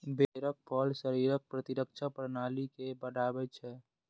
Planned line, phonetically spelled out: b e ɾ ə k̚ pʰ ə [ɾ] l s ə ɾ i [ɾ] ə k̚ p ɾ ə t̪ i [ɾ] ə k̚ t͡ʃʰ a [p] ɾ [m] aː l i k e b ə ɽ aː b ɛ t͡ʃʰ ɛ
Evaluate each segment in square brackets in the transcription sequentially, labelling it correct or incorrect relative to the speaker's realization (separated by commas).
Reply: incorrect, correct, correct, correct, incorrect